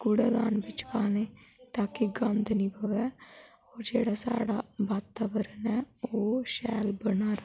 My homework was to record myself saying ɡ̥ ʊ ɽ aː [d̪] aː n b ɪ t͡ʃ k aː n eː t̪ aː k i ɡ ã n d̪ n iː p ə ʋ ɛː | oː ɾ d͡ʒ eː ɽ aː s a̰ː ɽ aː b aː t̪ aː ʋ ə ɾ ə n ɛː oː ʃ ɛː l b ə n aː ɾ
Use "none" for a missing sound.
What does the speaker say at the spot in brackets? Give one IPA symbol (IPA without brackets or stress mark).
d̪